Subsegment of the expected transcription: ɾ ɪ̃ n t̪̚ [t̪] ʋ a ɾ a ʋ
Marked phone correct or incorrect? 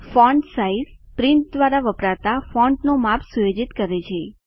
incorrect